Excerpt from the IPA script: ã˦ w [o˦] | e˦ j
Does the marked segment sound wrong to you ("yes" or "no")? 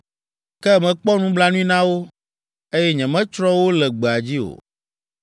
no